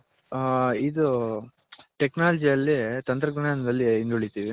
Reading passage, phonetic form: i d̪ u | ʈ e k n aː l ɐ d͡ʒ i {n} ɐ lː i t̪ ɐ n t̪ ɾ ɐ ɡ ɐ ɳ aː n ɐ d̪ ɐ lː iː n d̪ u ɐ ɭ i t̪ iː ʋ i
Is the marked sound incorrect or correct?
incorrect